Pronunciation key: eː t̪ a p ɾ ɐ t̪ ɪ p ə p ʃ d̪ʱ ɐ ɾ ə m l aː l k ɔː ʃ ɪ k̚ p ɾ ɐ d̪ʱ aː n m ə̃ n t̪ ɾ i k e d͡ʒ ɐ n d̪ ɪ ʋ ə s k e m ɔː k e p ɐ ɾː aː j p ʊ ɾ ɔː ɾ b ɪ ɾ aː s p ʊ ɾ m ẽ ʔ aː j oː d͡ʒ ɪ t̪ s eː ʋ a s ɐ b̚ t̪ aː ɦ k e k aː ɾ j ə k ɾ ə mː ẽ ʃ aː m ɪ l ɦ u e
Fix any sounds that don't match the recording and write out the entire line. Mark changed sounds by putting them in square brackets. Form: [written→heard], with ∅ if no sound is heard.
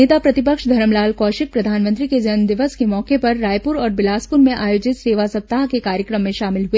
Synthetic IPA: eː t̪ a p ɾ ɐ t̪ ɪ p ə [p→k] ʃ d̪ʱ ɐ ɾ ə m l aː l k ɔː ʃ ɪ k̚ p ɾ ɐ d̪ʱ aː n m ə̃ n t̪ ɾ i k e d͡ʒ ɐ n d̪ ɪ ʋ ə s k e m ɔː k e p ɐ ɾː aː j p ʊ ɾ ɔː ɾ b ɪ [ɾ→l] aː s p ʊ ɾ m ẽ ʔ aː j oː d͡ʒ ɪ t̪ s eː ʋ a s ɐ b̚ t̪ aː ɦ k e k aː ɾ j ə k ɾ ə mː ẽ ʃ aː m ɪ l ɦ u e

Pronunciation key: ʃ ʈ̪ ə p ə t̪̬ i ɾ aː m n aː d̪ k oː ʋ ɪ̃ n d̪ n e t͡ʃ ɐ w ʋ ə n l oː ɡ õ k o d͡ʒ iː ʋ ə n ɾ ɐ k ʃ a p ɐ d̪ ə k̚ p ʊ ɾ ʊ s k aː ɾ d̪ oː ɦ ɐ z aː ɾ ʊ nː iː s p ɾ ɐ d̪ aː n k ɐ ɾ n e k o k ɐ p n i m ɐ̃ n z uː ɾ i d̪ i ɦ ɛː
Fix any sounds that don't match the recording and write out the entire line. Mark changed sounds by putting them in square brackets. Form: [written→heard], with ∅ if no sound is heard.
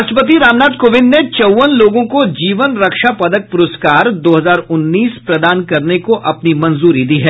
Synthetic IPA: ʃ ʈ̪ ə p ə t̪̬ i ɾ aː m n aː d̪ k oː ʋ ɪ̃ n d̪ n e t͡ʃ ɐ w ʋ ə n l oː ɡ õ k o d͡ʒ iː ʋ ə n ɾ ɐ k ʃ a p ɐ d̪ ə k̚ p ʊ ɾ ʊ s k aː ɾ d̪ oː ɦ ɐ z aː ɾ ʊ nː iː s p ɾ ɐ d̪ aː n k ɐ ɾ n e k o [k→ʔ] ɐ p n i m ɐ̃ n z uː ɾ i d̪ i ɦ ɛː

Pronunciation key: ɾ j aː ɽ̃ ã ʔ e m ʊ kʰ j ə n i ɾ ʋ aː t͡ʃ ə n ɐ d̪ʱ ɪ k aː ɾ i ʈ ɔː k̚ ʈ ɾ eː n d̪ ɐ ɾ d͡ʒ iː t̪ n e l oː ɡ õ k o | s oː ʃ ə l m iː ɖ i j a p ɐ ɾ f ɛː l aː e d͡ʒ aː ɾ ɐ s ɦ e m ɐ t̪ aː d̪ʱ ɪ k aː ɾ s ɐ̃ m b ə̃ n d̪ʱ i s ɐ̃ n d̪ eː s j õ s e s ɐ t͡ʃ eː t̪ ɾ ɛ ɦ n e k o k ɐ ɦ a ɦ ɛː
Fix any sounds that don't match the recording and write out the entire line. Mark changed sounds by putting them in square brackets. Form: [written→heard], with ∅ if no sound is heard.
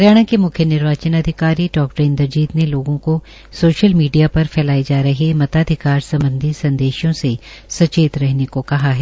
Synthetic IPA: ɾ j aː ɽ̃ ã [ʔ→k] e m ʊ kʰ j ə n [i→ɪ] ɾ ʋ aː t͡ʃ ə n ɐ d̪ʱ ɪ k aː ɾ i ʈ ɔː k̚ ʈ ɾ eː n d̪ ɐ ɾ d͡ʒ iː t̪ n e l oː ɡ õ k o | s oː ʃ ə l m iː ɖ i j a p ɐ ɾ f ɛː l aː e d͡ʒ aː ɾ ɐ [s→∅] ɦ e m ɐ t̪ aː d̪ʱ ɪ k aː ɾ s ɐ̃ m b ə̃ n d̪ʱ i s ɐ̃ n d̪ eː [s→ʃ] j õ s e s ɐ t͡ʃ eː t̪ ɾ ɛ ɦ n e k o k ɐ ɦ a ɦ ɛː

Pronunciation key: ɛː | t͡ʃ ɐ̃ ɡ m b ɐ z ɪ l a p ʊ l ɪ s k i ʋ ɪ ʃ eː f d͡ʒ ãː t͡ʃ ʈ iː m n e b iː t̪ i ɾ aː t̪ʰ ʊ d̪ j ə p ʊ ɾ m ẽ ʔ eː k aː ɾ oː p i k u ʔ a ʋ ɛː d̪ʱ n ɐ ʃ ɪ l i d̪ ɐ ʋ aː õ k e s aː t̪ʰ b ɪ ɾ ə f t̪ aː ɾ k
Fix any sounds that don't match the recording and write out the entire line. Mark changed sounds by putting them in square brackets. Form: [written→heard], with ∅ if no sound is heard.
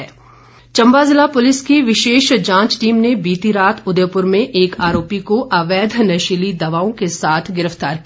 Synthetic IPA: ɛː | t͡ʃ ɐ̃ [ɡ→∅] m b [ɐ→a] z ɪ l a p ʊ l ɪ s k i ʋ ɪ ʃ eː [f→ʃ] d͡ʒ ãː t͡ʃ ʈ iː m n e b iː t̪ i ɾ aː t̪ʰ ʊ d̪ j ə p ʊ ɾ m ẽ ʔ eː k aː ɾ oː p i k [u→o] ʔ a ʋ ɛː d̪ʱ n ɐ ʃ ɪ l i d̪ ɐ ʋ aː õ k e s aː t̪ʰ [b→ɡ] ɪ ɾ ə f t̪ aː ɾ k

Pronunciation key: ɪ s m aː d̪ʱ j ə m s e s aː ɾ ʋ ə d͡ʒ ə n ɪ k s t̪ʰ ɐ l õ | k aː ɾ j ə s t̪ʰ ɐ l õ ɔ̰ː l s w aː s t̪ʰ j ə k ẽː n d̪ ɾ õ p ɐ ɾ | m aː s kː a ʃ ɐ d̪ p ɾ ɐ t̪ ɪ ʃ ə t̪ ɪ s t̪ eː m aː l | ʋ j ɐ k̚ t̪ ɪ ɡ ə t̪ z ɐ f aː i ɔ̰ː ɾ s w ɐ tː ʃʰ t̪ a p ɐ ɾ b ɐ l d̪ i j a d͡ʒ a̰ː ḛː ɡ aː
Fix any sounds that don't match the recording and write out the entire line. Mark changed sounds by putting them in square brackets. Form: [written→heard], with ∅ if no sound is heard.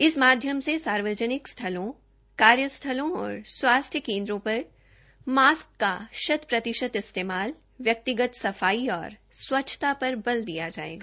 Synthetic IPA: ɪ s m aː d̪ʱ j ə m s e s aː ɾ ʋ ə d͡ʒ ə n ɪ k s t̪ʰ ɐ l õ | k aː ɾ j ə s t̪ʰ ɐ l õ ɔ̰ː [l→ɾ] s w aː s t̪ʰ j ə k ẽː n d̪ ɾ õ p ɐ ɾ | m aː s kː a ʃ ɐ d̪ p ɾ ɐ t̪ ɪ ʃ ə t̪ ɪ s t̪ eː m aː l | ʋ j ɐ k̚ t̪ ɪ ɡ ə t̪ [z→s] ɐ f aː i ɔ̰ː ɾ s w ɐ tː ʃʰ t̪ a p ɐ ɾ b ɐ l d̪ i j a d͡ʒ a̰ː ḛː ɡ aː

